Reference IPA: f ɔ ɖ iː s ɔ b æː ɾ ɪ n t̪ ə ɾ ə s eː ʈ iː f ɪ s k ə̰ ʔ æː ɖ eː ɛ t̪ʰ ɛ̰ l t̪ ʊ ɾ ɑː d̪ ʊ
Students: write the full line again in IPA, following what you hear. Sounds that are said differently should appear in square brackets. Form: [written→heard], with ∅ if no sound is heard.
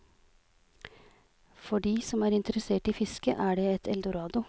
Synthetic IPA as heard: f ɔ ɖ iː s ɔ [b→m] æː ɾ ɪ n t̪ ə ɾ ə s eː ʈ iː f ɪ s k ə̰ ʔ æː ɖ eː ɛ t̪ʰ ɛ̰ l [t̪→d̪] ʊ ɾ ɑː d̪ ʊ